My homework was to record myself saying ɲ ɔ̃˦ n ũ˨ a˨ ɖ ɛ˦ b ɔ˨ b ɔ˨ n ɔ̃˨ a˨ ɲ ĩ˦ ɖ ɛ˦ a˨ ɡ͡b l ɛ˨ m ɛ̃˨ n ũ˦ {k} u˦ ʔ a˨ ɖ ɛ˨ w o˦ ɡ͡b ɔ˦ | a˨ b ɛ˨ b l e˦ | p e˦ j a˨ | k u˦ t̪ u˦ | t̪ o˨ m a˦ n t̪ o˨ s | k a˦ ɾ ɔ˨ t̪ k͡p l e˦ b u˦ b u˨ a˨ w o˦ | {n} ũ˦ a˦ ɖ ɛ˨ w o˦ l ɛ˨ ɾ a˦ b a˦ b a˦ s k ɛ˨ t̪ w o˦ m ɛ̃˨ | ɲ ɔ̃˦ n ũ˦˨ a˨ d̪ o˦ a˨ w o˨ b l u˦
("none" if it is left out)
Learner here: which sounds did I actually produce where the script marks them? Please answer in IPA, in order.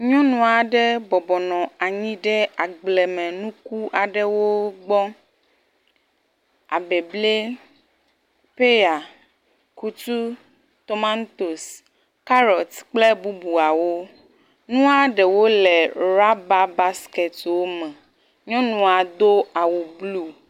k, n

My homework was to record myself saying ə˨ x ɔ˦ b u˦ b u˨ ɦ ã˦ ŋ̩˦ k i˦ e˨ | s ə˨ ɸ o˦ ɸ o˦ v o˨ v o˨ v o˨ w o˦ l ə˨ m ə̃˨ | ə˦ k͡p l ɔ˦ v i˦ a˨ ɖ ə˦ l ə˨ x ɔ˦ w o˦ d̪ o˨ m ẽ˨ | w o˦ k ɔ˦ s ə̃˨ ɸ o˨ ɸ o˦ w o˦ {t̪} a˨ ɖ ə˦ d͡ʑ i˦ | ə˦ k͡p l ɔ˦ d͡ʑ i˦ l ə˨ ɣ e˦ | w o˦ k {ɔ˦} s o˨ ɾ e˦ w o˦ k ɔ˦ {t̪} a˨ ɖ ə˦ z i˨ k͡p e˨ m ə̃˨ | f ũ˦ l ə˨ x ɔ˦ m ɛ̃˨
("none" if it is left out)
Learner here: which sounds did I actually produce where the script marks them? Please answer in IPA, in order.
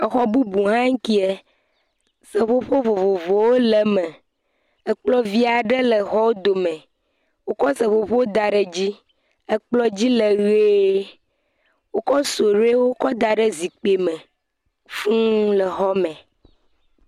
d̪, ɔ˦, d̪

